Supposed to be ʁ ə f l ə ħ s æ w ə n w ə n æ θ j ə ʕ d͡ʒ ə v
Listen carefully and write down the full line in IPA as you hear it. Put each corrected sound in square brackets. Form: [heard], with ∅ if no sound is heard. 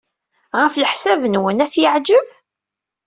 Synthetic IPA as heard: ʁ ə f l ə ħ s æ [v] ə n w ə n æ θ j ə ʕ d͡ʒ ə v